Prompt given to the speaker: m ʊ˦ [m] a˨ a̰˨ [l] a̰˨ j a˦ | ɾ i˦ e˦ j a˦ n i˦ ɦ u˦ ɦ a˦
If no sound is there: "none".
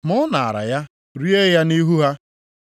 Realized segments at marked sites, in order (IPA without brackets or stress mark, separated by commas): n, ɾ